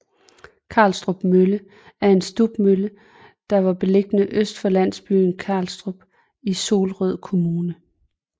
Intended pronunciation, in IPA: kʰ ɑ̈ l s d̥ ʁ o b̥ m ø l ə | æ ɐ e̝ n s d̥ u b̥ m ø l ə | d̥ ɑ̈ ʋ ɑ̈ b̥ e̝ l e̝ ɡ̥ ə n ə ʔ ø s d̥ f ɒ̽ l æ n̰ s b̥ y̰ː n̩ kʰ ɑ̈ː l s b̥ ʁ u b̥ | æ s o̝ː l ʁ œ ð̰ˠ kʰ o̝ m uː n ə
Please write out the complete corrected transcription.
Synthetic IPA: kʰ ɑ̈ l s d̥ ʁ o b̥ m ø l ə | æ ɐ e̝ n s d̥ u b̥ m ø l ə | d̥ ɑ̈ ʋ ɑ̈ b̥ e̝ l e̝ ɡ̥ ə n ə ʔ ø s d̥ f ɒ̽ l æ n̰ s b̥ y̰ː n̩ kʰ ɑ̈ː l s d̥ ʁ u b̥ | i s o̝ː l ʁ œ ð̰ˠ kʰ o̝ m uː n ə